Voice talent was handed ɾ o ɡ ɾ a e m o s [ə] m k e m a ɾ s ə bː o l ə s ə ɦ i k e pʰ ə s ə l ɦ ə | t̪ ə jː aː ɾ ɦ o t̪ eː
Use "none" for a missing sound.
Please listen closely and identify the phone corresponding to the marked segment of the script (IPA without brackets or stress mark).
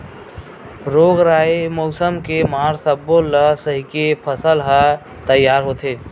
ə